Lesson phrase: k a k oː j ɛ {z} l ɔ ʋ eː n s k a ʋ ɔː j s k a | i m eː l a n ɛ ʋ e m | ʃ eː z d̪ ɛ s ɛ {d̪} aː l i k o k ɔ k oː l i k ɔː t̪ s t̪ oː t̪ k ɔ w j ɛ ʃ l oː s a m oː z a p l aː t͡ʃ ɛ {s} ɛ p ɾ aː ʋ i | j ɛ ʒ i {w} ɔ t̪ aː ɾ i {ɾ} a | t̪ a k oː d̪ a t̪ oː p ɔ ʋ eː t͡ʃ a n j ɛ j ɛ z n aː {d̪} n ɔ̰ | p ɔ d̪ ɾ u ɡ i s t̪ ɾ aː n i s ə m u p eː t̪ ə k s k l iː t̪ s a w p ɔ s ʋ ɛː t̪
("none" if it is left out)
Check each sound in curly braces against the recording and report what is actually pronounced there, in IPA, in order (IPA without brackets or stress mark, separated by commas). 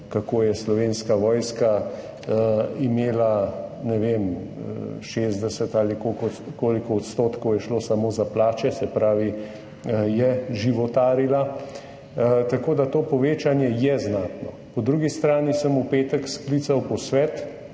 s, t̪, s, ʋ, l, t̪